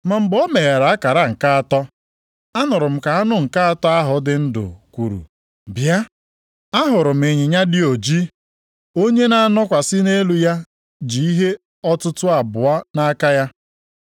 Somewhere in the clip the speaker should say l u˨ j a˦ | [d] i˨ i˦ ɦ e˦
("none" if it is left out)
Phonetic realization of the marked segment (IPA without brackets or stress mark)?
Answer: d͡ʒ